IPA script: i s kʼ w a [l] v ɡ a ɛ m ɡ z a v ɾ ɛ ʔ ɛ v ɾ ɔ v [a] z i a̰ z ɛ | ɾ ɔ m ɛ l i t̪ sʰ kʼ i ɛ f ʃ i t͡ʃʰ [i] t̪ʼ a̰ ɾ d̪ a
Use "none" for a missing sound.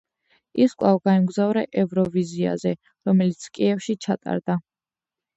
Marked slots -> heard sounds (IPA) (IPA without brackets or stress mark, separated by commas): none, i, a